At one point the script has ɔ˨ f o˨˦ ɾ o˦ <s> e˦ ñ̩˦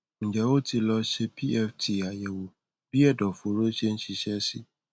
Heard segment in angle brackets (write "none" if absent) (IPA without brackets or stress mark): ʃ